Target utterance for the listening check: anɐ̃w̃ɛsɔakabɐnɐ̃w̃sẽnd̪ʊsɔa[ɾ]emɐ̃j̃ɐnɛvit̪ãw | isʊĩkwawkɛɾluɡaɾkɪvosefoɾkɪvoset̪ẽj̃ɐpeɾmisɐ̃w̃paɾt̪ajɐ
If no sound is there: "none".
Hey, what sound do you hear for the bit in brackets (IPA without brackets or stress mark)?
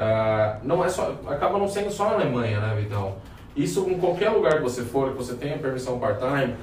l